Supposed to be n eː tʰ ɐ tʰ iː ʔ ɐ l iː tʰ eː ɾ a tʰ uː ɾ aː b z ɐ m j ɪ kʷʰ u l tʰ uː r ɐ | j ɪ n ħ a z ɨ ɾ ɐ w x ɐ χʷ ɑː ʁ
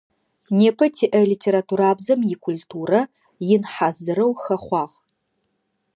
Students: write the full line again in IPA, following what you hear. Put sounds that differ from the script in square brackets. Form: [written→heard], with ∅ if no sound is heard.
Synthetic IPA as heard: n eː [tʰ→pʰ] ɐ tʰ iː ʔ ɐ l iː tʰ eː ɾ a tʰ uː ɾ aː b z ɐ m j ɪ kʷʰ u l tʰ uː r ɐ | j ɪ n ħ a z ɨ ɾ ɐ w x ɐ χʷ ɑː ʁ